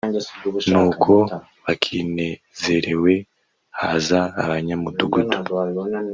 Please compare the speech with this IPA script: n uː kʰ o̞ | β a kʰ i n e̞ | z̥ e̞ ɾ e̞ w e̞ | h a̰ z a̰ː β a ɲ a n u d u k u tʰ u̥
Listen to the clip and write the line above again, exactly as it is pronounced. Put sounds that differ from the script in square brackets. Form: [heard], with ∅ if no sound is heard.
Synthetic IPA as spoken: n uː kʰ o̞ | β a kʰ i n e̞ | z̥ e̞ ɾ e̞ w e̞ | h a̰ z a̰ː β a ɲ a [m] u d u [ɡ] u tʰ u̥